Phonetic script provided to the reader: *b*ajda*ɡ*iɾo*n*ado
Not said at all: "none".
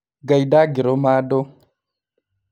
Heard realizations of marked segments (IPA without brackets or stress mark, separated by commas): ɡ, ɡ, m